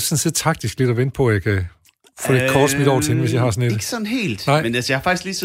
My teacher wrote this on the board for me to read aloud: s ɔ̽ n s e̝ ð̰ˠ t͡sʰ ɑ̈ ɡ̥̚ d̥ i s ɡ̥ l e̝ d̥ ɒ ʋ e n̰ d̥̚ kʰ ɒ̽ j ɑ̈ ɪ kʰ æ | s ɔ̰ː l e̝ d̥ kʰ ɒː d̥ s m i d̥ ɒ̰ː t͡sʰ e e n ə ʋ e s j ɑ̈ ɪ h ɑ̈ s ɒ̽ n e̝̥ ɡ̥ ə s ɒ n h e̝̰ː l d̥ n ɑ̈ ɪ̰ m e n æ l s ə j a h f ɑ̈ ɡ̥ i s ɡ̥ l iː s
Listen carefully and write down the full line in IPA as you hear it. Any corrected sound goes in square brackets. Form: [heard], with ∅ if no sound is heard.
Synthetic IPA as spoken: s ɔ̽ n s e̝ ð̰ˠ t͡sʰ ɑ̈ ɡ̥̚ d̥ i s ɡ̥ l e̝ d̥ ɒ ʋ e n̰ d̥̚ [pʰ] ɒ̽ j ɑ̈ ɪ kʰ æ | [f] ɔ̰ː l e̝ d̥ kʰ ɒː d̥ s m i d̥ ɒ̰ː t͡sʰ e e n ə ʋ e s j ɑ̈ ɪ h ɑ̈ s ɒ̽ n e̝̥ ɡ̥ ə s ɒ n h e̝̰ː l d̥ n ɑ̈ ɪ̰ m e n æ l s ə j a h f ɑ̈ ɡ̥ i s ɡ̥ l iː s